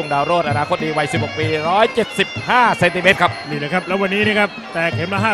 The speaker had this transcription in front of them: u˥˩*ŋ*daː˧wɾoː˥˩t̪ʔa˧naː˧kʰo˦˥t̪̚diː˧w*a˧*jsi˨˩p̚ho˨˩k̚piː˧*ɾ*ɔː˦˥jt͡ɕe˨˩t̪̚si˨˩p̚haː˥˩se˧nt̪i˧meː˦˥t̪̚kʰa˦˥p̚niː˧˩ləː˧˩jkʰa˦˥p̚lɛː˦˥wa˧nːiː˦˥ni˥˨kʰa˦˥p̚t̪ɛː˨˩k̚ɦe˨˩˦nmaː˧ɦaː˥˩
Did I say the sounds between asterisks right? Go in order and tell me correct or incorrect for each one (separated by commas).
correct, correct, correct